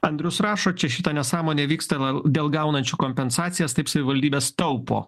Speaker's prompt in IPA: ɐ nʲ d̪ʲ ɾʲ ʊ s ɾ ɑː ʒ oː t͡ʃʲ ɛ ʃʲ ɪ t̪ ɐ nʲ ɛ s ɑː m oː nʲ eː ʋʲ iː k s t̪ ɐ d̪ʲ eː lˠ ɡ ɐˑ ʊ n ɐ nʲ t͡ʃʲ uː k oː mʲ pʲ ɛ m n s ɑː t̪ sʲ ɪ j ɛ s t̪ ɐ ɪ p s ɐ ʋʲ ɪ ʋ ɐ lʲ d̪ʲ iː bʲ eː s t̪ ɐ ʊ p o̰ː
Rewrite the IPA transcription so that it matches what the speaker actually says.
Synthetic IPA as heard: ɐ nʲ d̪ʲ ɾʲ ʊ s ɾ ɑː ʃ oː t͡ʃʲ ɛ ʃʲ ɪ t̪ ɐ nʲ ɛ s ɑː m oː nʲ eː ʋʲ iː k s t̪ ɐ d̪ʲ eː lˠ ɡ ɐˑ ʊ n ɐ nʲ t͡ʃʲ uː k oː mʲ pʲ ɛ n s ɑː t̪ sʲ ɪ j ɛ s t̪ ɐ ɪ p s ɐ ʋʲ ɪ ʋ ɐ lʲ d̪ʲ iː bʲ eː s t̪ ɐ ʊ p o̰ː

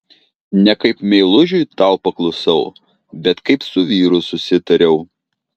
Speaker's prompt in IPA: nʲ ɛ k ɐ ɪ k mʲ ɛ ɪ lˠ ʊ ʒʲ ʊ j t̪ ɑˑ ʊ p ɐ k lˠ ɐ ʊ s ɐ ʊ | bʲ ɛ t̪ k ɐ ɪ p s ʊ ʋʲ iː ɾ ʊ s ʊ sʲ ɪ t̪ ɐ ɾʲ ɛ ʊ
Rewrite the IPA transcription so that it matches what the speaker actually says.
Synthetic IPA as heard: nʲ ɛ k ɐ ɪ p mʲ ɛ ɪ lˠ ʊ ʒʲ ʊ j t̪ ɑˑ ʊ p ɐ k lˠ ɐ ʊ s ɐ ʊ | bʲ ɛ t̪ k ɐ ɪ p s ʊ ʋʲ iː ɾ ʊ s ʊ sʲ ɪ t̪ ɐ ɾʲ ɛ ʊ

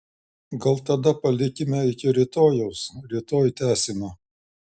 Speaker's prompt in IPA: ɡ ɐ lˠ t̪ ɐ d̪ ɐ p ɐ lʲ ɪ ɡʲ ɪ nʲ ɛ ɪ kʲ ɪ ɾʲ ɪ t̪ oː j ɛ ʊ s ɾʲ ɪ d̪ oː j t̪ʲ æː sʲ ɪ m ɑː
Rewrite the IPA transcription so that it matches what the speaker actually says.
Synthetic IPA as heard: ɡ ɐ lˠ t̪ ɐ d̪ ɐ p ɐ lʲ ɪ kʲ ɪ mʲ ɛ ɪ kʲ ɪ ɾʲ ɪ t̪ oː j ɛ ʊ s ɾʲ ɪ t̪ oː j t̪ʲ æː sʲ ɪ m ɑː

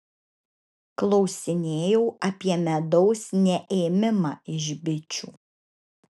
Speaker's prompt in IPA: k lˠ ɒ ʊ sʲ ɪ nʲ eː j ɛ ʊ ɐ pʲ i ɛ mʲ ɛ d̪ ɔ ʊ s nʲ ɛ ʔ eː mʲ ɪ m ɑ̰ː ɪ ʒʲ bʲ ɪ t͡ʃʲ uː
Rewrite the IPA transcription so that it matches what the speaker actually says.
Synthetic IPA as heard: k lˠ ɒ ʊ sʲ ɪ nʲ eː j ɛ ʊ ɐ pʲ i ɛ mʲ ɛ d̪ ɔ ʊ s nʲ ɛ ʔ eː mʲ ɪ m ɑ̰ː ɪ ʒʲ bʲ ɪ t͡ʃʲ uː

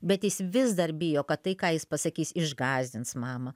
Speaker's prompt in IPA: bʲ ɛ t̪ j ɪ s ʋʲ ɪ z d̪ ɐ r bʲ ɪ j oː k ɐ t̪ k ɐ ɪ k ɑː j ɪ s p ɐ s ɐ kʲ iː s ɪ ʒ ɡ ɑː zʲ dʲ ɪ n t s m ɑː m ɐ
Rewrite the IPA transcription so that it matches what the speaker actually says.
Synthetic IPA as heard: bʲ ɛ t̪ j ɪ s ʋʲ ɪ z d̪ ɐ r bʲ ɪ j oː k ɐ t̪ t ɐ ɪ k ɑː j ɪ s p ɐ s ɐ kʲ iː s ɪ ʒ ɡ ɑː zʲ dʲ ɪ n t s m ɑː m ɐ

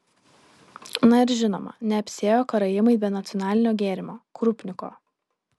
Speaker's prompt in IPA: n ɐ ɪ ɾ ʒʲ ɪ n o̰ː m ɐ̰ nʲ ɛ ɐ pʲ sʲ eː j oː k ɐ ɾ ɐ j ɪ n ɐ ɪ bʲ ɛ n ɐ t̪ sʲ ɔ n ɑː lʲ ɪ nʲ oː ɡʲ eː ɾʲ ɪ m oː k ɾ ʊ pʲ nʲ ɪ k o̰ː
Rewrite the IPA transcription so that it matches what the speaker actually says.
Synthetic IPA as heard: n ɐ ɪ ɾ ʒʲ ɪ n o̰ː m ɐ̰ nʲ ɛ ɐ pʲ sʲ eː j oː k ɐ ɾ ɐ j ɪ m ɐ ɪ bʲ ɛ n ɐ t̪ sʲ ɔ n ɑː lʲ ɪ nʲ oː ɡʲ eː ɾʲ ɪ m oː k ɾ ʊ pʲ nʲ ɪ k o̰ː

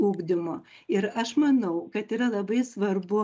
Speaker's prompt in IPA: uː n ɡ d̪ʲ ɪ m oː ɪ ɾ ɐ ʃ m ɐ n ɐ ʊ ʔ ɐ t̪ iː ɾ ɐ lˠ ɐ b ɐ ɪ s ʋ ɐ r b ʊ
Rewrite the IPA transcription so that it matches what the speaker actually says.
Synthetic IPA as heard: uː ɡ d̪ʲ ɪ m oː ɪ ɾ ɐ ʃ m ɐ n ɐ ʊ k ɐ t̪ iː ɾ ɐ lˠ ɐ b ɐ ɪ s ʋ ɐ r b ʊ

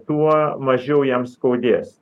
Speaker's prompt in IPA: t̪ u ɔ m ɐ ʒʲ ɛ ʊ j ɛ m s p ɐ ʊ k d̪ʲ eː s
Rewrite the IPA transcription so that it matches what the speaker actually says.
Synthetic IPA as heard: t̪ u ɔ m ɐ ʒʲ ɛ ʊ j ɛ m s k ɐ ʊ d̪ʲ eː s

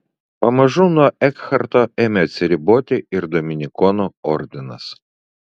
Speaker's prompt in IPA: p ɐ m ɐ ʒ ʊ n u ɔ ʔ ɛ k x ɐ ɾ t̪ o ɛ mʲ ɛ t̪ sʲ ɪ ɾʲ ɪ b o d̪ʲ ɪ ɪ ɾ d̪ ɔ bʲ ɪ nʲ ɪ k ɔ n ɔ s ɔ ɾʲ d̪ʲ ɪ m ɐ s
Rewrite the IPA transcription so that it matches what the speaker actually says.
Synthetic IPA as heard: p ɐ m ɐ ʒ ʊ n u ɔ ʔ ɛ k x ɐ ɾ t̪ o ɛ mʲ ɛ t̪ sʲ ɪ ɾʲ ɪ b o t̪ʲ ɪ ɪ ɾ d̪ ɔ mʲ ɪ nʲ ɪ k ɔ n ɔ ɔ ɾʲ d̪ʲ ɪ n ɐ s

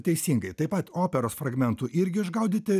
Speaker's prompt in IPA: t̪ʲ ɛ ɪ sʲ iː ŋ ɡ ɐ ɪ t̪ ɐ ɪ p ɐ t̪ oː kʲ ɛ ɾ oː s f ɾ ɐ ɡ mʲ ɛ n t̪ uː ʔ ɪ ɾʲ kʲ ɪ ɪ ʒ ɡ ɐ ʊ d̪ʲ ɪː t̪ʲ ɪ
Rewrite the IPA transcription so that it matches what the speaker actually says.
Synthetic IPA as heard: t̪ʲ ɛ ɪ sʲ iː ŋ ɡ ɐ ɪ t̪ ɐ ɪ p ɐ t̪ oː pʲ ɛ ɾ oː s f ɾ ɐ ɡ mʲ ɛ n t̪ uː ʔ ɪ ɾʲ ɡʲ ɪ ɪ ʒ ɡ ɐ ʊ d̪ʲ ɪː t̪ʲ ɪ

